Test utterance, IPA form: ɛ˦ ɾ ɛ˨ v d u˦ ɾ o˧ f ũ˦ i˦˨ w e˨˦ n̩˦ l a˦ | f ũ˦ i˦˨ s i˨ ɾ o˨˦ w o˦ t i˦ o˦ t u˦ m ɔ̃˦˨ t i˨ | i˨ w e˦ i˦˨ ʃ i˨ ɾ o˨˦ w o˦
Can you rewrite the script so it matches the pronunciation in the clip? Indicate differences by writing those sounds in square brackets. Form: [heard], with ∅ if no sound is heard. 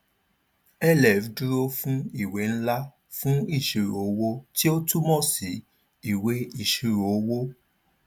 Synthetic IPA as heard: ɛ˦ [l] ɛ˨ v d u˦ ɾ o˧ f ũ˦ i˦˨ w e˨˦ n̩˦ l a˦ | f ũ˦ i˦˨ [ʃ] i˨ ɾ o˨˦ w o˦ t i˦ o˦ t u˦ m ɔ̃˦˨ [s] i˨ | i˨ w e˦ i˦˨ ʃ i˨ ɾ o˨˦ w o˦